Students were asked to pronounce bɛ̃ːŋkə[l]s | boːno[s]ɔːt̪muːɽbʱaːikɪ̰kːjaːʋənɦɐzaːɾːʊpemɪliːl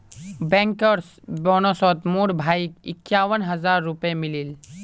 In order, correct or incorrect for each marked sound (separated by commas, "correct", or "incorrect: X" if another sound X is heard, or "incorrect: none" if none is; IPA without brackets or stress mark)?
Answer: incorrect: ɾ, correct